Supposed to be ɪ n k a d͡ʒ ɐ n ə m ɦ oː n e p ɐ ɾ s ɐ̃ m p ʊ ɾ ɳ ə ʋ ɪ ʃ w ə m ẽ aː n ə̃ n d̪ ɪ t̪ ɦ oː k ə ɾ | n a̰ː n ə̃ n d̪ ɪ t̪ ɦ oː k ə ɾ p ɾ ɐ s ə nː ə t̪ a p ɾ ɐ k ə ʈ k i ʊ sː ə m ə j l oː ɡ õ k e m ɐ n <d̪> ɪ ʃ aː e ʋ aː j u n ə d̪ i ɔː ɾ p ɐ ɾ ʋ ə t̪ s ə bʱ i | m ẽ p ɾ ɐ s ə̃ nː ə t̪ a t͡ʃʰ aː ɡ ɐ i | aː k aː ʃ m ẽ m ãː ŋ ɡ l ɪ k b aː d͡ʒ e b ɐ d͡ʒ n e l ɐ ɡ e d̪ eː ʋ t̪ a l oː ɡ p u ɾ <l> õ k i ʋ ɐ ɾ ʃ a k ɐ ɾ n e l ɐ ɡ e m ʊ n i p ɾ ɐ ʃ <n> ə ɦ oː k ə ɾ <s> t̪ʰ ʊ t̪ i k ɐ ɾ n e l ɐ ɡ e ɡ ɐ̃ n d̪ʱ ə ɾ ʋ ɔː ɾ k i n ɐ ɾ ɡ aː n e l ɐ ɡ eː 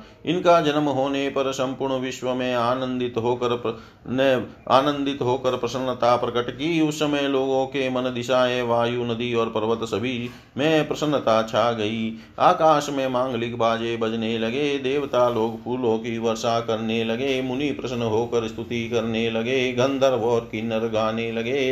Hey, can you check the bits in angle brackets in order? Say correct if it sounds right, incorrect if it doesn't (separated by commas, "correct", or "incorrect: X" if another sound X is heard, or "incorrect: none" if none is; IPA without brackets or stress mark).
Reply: correct, correct, correct, correct